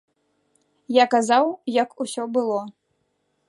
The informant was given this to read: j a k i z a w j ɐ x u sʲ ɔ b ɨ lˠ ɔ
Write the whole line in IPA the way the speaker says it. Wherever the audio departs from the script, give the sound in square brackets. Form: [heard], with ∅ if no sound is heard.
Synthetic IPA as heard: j a k [a] z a w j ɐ [k] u sʲ ɔ b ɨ lˠ ɔ